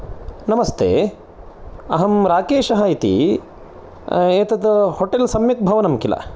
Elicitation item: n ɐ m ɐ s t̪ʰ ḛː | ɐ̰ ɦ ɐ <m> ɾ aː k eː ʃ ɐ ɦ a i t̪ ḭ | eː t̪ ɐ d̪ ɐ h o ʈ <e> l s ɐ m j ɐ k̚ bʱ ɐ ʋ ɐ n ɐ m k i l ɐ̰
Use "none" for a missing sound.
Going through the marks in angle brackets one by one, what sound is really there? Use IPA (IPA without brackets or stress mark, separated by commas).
m, e